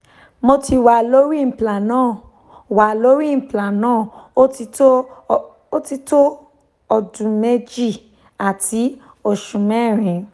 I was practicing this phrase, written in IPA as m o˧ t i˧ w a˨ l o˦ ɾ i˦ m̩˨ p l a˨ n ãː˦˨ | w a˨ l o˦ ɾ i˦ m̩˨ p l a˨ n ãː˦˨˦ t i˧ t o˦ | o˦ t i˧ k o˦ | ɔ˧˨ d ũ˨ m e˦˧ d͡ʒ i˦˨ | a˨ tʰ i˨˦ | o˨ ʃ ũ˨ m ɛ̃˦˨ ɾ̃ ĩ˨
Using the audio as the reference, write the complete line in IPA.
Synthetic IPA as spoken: m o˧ t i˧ w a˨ l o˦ ɾ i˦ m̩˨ p l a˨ n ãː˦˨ | w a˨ l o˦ ɾ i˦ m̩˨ p l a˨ n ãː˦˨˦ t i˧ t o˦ | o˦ t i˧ t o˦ | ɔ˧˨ d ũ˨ m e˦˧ d͡ʒ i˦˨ | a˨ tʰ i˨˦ | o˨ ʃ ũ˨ m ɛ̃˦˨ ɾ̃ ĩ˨